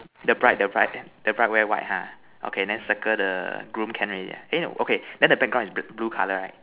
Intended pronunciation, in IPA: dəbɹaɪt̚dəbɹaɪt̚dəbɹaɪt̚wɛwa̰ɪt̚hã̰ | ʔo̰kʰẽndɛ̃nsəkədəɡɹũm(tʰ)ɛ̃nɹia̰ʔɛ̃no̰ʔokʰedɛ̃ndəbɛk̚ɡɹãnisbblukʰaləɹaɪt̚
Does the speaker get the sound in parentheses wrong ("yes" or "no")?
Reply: yes